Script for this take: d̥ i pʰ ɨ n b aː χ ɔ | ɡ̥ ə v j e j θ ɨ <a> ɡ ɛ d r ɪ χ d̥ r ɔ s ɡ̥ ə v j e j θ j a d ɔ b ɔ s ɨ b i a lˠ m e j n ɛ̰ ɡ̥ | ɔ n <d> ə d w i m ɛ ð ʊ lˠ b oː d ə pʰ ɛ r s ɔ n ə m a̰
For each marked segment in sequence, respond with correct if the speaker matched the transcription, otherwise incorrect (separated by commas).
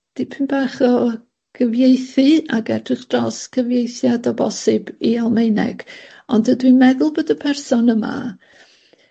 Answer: correct, correct